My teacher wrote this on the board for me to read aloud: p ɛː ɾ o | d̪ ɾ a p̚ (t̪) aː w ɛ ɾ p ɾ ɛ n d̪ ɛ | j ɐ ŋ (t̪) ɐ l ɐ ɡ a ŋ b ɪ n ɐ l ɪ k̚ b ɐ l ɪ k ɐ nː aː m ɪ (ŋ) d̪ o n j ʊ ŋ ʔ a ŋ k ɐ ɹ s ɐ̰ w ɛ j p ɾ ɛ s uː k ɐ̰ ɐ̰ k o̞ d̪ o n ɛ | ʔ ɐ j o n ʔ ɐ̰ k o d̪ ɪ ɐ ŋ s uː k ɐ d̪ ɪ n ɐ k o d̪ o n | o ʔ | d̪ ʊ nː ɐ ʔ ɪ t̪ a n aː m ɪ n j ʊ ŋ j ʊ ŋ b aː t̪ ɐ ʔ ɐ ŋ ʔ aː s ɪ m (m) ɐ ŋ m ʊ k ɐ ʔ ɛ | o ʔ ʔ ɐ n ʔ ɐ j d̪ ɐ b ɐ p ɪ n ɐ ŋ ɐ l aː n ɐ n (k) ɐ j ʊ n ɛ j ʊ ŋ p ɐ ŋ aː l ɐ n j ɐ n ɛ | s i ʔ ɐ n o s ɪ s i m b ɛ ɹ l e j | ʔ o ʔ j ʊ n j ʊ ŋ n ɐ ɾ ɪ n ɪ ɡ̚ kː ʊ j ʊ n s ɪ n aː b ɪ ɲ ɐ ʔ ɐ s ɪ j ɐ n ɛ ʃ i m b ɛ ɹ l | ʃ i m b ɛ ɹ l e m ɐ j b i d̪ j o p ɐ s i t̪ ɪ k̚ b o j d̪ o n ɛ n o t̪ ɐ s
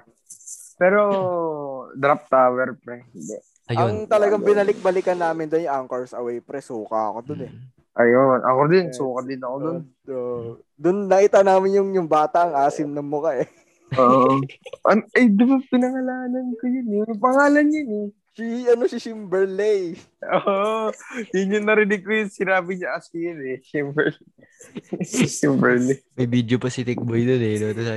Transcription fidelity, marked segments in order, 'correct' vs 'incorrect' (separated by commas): correct, correct, incorrect, incorrect, correct